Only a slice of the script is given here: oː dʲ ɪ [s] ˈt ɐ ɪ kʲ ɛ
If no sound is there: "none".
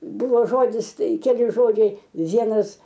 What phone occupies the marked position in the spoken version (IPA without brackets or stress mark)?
s